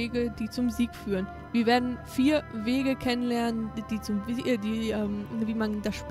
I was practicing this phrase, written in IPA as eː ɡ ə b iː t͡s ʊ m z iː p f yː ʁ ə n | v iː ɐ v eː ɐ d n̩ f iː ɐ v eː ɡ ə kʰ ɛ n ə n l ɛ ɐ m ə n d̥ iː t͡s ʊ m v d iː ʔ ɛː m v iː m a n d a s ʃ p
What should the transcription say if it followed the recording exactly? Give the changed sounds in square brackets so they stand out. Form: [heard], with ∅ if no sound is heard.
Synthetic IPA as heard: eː ɡ ə [d] iː t͡s ʊ m z iː [k] f yː ʁ ə n | v iː ɐ v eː ɐ d n̩ f iː ɐ v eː ɡ ə kʰ ɛ n ə n l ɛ ɐ [n] ə n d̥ iː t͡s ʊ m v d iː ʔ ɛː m v iː m a n d a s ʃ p